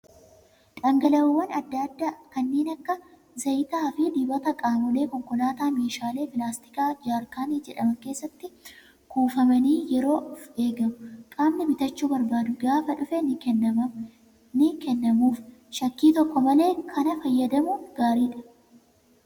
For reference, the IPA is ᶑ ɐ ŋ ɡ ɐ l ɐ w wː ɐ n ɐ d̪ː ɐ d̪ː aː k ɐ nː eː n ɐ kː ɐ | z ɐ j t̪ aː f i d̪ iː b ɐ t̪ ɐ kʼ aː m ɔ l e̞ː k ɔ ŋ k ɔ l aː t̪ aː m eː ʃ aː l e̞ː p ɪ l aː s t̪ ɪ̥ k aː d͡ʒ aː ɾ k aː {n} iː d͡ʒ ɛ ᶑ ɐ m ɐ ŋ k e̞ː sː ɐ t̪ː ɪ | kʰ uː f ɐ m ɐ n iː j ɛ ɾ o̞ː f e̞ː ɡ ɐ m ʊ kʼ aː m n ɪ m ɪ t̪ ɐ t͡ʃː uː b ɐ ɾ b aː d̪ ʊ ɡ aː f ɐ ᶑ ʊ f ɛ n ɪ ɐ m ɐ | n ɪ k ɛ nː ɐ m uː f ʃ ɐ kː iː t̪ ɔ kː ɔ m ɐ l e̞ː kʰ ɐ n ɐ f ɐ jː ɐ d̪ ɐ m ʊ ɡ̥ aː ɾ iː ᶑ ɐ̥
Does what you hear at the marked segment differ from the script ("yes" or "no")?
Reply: no